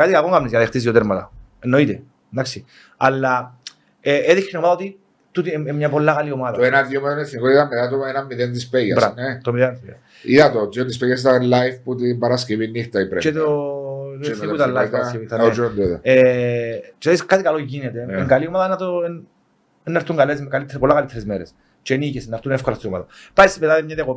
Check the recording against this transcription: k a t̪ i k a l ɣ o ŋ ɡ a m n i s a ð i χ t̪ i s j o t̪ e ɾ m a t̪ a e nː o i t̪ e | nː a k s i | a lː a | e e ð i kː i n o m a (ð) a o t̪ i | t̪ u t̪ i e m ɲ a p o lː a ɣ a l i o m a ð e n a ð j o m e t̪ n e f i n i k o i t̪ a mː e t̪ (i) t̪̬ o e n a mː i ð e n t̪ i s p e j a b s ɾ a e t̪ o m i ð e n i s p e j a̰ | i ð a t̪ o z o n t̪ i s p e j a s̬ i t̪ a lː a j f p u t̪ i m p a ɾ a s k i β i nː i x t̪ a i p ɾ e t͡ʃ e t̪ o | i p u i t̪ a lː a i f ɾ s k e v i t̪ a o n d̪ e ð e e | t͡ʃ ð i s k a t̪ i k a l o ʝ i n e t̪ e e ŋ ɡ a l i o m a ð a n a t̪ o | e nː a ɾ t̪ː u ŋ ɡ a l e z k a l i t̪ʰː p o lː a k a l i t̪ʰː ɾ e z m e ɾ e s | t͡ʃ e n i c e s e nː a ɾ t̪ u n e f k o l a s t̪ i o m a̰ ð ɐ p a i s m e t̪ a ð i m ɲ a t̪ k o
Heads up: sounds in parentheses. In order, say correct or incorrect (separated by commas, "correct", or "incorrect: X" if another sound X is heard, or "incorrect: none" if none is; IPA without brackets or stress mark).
correct, incorrect: a